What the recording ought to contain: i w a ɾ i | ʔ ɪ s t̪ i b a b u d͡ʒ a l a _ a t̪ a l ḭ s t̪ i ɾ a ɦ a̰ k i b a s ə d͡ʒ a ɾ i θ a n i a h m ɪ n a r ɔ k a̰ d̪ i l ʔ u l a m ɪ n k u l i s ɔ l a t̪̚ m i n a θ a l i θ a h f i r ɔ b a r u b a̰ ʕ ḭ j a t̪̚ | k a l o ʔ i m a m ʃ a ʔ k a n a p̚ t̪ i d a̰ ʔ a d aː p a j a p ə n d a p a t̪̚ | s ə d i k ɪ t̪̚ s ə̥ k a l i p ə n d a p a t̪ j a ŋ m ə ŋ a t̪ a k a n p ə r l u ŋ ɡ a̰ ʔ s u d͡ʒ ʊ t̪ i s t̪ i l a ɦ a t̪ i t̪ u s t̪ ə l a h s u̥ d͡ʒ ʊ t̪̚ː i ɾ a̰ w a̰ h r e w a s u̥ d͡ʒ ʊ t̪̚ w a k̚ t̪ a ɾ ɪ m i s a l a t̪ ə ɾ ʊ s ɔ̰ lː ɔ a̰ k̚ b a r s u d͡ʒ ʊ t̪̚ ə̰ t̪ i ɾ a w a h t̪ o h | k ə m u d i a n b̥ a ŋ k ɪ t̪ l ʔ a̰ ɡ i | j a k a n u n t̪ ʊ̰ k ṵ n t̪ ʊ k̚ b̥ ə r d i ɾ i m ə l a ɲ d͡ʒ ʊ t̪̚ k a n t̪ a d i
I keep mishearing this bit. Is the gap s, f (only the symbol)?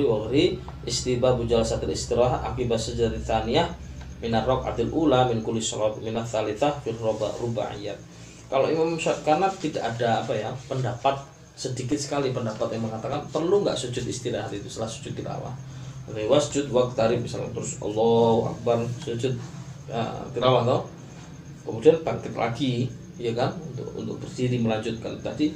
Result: s